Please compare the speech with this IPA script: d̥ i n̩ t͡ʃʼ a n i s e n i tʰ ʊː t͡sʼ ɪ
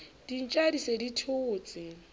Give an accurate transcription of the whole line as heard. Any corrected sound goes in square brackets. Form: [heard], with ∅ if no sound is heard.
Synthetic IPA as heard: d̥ i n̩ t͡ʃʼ a [d] i s e [d] i tʰ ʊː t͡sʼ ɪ